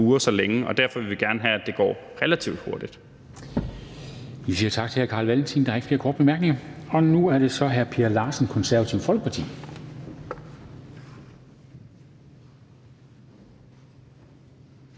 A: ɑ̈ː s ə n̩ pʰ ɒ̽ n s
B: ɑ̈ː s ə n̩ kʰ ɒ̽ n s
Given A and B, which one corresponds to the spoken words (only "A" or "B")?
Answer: B